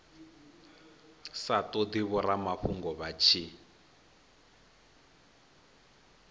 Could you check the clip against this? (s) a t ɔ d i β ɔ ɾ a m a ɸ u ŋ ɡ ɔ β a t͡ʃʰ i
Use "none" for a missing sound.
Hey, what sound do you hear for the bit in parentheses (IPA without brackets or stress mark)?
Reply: s